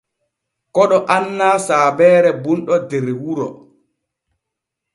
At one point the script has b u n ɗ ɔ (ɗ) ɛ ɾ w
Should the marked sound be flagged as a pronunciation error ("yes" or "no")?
yes